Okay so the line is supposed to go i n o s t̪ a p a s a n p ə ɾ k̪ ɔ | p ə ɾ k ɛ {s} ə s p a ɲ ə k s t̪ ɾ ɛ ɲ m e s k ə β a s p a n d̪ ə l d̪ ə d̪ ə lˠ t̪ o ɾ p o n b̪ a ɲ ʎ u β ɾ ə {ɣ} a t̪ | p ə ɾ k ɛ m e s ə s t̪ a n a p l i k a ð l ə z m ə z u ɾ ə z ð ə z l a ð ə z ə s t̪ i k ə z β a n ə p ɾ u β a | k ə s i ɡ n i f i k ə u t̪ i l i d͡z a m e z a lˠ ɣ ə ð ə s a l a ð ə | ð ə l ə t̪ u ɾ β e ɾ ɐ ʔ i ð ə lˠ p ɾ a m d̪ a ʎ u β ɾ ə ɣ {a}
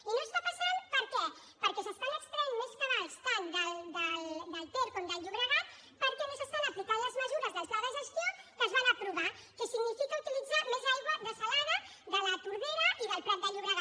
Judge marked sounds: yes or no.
yes, yes, yes

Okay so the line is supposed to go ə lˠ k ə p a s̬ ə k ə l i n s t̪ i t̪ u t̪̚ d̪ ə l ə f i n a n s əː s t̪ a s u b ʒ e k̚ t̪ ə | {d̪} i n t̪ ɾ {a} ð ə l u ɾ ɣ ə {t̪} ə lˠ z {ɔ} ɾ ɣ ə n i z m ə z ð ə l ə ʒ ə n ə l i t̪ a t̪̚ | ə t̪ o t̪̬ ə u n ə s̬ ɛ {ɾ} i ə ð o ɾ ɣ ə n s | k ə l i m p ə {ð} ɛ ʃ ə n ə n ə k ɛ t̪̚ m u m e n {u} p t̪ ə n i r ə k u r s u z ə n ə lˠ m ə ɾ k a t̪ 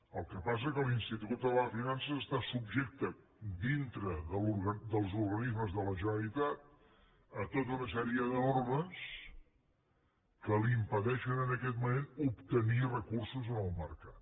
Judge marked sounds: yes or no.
yes, no, no, no, yes, yes, yes

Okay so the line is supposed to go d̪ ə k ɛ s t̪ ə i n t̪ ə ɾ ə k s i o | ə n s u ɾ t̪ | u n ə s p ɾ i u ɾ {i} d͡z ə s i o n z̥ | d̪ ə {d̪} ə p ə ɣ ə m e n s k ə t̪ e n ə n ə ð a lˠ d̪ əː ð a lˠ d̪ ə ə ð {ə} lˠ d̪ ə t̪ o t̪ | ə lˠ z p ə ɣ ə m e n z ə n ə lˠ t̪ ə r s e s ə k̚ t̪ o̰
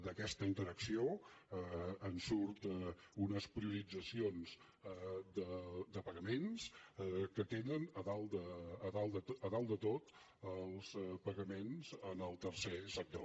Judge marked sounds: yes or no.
yes, yes, no

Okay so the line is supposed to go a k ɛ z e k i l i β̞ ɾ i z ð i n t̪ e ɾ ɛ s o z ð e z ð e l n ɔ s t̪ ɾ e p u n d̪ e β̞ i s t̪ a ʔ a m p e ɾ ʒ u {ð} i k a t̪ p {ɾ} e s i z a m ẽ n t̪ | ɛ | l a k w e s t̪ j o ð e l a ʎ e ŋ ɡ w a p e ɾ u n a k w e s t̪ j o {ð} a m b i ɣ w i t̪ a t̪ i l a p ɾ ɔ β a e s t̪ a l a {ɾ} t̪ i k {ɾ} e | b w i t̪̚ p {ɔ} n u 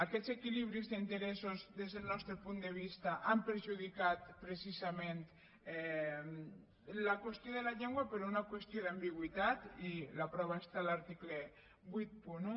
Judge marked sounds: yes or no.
yes, yes, yes, yes, no, no

